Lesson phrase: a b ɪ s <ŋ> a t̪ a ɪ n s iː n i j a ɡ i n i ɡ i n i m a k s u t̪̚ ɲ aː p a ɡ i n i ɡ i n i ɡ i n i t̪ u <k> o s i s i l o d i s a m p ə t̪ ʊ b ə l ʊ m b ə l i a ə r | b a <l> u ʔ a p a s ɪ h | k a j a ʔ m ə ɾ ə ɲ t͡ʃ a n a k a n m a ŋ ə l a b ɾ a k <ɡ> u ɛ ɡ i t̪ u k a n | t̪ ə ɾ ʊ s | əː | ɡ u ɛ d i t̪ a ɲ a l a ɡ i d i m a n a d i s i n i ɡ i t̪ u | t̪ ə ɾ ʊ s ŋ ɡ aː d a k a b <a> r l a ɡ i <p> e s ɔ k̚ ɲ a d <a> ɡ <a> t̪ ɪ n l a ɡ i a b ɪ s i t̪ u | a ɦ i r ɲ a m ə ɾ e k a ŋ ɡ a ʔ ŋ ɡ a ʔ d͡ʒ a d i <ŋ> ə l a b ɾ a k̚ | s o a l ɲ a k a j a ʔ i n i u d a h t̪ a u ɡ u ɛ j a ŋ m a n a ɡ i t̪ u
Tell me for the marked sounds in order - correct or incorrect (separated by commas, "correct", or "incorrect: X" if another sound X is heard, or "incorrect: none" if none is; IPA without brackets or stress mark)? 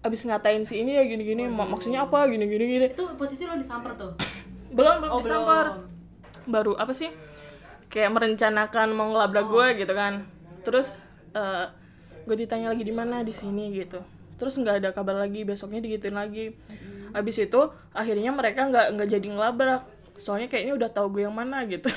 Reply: correct, incorrect: p, incorrect: ɾ, correct, correct, incorrect: b, incorrect: i, incorrect: i, correct